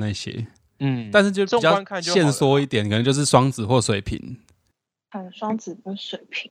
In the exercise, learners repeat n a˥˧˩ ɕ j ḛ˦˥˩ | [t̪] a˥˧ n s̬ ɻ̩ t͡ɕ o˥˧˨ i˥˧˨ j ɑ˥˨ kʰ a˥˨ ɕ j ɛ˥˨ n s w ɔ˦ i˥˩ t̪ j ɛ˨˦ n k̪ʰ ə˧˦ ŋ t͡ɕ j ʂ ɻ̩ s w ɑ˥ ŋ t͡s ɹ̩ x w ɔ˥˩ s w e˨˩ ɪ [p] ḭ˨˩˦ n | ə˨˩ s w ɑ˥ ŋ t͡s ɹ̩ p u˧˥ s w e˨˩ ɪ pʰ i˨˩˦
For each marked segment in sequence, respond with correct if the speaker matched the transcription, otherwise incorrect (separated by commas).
correct, incorrect